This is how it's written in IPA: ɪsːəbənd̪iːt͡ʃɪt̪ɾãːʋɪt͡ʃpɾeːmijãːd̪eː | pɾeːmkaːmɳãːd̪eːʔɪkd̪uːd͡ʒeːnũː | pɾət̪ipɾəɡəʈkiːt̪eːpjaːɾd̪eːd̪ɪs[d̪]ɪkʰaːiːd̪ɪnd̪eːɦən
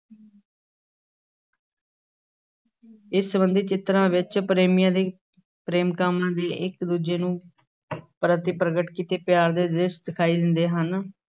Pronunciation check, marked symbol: correct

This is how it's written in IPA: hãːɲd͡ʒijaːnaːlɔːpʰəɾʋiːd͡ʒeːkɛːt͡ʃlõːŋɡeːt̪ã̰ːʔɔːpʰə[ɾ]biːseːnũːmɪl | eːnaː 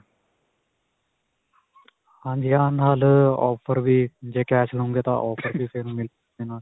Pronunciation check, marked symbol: correct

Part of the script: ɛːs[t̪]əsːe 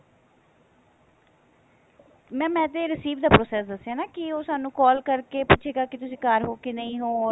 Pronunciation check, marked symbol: incorrect: d̪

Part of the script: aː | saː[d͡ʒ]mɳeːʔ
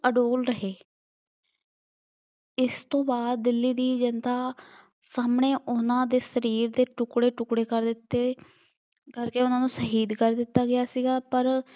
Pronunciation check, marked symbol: incorrect: none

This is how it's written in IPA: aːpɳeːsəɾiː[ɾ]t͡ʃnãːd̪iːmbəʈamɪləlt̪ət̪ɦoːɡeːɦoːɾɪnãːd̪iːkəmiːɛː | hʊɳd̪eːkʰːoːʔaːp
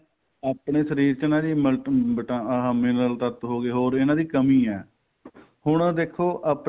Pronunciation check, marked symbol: correct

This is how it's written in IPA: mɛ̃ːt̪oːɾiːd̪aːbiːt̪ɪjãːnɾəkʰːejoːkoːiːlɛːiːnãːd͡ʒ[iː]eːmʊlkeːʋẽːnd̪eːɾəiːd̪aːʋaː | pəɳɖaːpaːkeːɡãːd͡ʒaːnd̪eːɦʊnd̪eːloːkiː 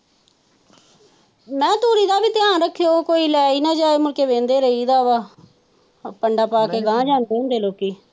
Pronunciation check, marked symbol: incorrect: aː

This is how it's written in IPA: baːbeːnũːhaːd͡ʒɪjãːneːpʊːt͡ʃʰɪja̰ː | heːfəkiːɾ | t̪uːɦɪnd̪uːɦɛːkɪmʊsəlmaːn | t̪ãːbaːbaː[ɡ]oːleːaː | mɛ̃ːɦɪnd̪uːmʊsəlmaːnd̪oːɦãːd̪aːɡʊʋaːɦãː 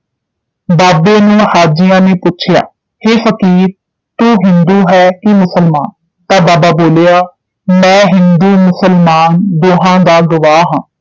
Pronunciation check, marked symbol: incorrect: b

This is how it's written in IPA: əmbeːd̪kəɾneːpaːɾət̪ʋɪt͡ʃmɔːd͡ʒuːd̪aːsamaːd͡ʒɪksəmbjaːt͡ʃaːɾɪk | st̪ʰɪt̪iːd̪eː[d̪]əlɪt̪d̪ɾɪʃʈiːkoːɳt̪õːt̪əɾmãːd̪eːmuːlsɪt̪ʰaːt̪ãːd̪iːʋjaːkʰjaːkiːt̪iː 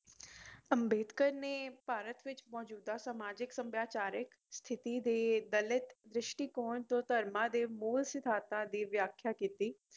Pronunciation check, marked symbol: correct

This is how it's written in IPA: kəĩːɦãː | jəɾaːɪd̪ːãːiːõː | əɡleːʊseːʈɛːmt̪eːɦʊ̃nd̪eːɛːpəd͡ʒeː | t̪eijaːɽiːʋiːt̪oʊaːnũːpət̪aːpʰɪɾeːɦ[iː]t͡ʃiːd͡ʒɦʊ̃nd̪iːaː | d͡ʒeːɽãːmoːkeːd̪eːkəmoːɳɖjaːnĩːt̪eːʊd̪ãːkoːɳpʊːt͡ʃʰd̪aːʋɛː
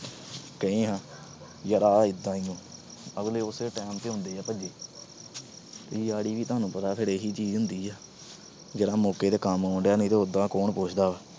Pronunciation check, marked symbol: correct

